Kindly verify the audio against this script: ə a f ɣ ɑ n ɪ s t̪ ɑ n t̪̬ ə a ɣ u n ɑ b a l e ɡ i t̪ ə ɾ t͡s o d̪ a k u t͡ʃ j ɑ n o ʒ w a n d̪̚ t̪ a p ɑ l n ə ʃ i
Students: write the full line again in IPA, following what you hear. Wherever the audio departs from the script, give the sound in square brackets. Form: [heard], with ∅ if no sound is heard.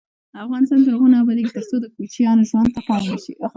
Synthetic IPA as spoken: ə a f ɣ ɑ n ɪ s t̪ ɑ n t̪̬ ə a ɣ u n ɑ b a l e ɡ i t̪ ə ɾ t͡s o d̪ [ə] k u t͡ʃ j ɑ n o ʒ w a n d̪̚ t̪ a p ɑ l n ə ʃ i